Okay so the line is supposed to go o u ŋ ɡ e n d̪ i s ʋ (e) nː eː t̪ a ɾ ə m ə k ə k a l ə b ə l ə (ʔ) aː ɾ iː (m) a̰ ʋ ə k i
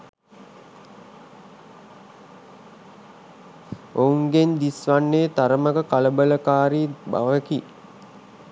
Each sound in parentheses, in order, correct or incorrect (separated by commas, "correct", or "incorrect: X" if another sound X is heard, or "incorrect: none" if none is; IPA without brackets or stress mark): incorrect: a, incorrect: k, incorrect: b